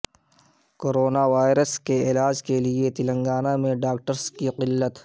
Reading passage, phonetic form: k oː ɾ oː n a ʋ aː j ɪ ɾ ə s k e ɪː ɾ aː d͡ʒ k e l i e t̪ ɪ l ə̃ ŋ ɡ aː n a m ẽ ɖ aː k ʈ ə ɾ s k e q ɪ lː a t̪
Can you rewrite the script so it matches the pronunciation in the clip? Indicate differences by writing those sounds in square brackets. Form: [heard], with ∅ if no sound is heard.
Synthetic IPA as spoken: k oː ɾ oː n a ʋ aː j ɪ ɾ ə s k e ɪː [l] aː d͡ʒ k e l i e t̪ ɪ l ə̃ ŋ ɡ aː n a m ẽ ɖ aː k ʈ ə ɾ s k [i] q ɪ lː [ə] t̪